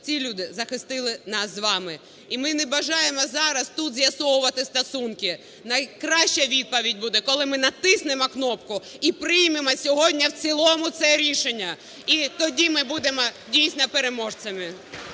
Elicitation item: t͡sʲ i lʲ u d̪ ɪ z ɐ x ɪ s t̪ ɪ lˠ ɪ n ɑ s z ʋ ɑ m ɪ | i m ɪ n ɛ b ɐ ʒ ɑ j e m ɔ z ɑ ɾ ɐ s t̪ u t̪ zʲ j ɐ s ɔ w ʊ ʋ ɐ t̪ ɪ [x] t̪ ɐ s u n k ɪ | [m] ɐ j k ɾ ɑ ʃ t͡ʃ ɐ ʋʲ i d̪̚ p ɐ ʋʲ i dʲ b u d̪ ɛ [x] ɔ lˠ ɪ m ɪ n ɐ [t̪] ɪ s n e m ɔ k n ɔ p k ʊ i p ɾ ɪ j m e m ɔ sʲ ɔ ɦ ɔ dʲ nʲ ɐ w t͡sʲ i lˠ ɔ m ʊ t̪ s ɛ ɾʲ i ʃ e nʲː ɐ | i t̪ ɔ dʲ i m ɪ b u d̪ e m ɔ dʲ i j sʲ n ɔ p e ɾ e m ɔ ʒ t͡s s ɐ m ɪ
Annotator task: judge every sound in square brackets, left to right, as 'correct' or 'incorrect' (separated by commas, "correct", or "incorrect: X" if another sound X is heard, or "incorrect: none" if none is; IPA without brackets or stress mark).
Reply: incorrect: s, incorrect: n, incorrect: k, correct